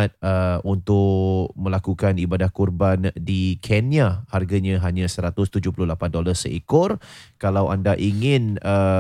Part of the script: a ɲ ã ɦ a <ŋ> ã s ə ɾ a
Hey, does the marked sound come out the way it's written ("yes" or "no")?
no